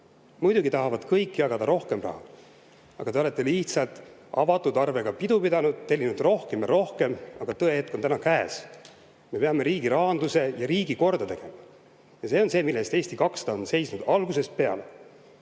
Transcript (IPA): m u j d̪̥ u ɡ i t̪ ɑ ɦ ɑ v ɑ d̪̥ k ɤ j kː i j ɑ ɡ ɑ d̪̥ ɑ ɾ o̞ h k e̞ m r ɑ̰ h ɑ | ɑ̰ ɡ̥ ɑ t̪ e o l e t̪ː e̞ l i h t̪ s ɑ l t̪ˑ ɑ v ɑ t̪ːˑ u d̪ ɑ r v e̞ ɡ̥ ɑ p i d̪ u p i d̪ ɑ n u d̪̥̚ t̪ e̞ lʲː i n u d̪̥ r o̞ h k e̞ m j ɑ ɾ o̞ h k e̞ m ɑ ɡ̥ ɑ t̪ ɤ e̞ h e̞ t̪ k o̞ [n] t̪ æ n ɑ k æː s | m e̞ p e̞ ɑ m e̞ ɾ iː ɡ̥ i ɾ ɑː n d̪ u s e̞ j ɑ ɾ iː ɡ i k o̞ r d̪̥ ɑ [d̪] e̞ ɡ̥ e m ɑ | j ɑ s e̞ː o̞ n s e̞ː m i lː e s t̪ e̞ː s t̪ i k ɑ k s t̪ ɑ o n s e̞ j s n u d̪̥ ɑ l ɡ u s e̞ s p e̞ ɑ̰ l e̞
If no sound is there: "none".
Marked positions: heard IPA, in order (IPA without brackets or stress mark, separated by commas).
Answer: n, t̪